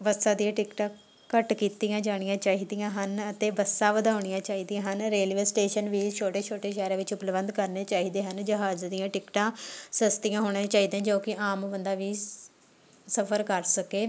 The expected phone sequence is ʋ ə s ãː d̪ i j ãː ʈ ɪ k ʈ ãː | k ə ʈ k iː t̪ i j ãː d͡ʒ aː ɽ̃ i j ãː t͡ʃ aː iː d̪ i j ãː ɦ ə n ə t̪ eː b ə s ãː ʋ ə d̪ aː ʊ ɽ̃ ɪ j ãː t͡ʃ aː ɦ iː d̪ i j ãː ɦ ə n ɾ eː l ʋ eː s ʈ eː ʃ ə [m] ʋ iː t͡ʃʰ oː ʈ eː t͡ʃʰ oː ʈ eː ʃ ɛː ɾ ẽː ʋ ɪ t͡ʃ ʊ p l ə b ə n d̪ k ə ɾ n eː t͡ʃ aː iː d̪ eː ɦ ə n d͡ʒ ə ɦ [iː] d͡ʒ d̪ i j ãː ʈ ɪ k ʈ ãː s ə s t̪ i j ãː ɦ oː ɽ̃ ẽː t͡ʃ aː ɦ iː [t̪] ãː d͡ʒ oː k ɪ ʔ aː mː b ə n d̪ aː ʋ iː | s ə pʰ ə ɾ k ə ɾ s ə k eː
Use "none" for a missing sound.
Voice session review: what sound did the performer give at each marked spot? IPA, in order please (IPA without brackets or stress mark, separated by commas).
n, aː, d̪